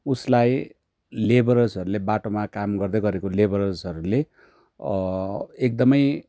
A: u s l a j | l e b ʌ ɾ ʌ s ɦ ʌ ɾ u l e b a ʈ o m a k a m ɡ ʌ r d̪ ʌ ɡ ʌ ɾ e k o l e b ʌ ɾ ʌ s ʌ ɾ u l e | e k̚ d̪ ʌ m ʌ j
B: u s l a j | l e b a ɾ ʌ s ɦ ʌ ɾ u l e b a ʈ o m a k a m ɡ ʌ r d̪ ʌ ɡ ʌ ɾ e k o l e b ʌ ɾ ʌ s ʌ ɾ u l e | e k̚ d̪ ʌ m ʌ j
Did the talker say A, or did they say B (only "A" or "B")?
A